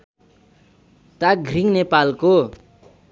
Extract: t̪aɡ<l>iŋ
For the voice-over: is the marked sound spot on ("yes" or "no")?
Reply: no